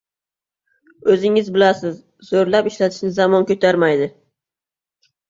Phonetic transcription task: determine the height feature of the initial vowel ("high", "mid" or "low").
mid